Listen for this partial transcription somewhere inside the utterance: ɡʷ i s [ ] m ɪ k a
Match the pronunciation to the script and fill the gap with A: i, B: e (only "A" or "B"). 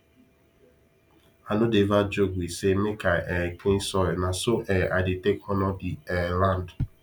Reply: B